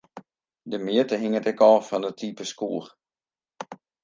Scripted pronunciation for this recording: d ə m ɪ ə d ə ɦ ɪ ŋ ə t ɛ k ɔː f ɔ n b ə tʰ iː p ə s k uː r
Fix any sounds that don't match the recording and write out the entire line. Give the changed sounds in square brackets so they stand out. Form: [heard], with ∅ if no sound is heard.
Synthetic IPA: d ə m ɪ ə [t] ə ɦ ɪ ŋ ə t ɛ k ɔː f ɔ n [d] ə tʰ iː p ə s k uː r